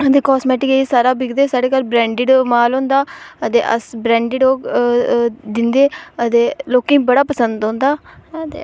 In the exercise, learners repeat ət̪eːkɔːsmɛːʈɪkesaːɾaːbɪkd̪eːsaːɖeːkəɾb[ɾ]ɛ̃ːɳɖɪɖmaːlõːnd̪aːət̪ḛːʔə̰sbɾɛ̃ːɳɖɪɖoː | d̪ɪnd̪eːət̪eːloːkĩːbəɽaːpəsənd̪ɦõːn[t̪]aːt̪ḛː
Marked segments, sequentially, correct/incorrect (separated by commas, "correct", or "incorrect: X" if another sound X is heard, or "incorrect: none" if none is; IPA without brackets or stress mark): correct, incorrect: d̪